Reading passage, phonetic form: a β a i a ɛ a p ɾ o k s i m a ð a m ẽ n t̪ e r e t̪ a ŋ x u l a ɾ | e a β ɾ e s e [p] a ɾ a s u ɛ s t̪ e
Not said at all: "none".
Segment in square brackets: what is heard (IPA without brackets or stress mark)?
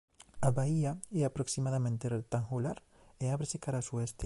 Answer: k